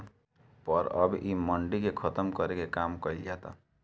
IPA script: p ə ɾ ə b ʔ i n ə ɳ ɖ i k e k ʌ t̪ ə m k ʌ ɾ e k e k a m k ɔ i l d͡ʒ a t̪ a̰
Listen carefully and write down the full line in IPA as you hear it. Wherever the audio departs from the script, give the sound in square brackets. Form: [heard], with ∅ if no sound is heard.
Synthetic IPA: p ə ɾ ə b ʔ i [m] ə ɳ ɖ i k e [kʰ] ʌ t̪ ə m k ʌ ɾ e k e k a m k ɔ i l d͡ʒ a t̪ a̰